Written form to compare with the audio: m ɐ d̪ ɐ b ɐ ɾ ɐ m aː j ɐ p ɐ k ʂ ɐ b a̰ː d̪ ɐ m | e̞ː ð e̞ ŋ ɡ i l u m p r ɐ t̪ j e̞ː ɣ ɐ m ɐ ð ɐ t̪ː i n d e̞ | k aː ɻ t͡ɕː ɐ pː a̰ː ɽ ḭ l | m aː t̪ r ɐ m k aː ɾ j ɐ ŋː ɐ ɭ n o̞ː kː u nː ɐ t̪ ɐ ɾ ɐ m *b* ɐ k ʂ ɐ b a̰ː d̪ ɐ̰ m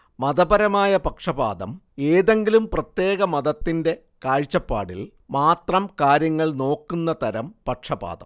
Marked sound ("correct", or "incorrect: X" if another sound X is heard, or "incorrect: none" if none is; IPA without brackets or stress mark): incorrect: p